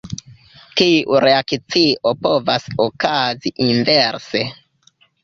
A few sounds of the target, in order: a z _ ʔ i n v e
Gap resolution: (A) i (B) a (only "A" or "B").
A